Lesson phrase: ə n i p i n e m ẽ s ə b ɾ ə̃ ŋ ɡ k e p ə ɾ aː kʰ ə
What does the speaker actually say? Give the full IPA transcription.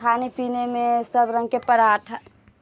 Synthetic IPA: a n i p i n e m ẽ s ə b ɾ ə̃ ŋ ɡ k e p ə ɾ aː ʈʰ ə